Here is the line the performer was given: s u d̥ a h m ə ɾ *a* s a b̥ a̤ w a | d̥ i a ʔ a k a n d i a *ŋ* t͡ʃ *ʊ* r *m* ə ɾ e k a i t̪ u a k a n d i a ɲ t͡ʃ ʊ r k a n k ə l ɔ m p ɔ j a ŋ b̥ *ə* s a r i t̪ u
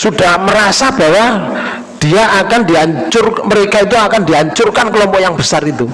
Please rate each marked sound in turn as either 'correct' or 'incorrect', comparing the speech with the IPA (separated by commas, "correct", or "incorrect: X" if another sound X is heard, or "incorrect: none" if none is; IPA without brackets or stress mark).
correct, incorrect: ɲ, correct, correct, correct